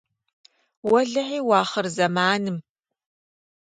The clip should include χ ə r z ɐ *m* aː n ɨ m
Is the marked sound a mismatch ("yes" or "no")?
no